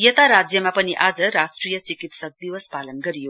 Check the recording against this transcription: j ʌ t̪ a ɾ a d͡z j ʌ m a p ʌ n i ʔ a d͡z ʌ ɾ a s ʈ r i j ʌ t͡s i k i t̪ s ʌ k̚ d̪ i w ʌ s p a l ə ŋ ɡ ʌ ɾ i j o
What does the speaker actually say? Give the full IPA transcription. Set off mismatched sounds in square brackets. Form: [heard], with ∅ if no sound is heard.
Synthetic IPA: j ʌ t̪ a ɾ a d͡z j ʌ m a p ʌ n i ʔ a d͡z ʌ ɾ a s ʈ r i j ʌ t͡s i k i t̪ s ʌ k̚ d̪ i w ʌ s p a l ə [n] ɡ ʌ ɾ i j o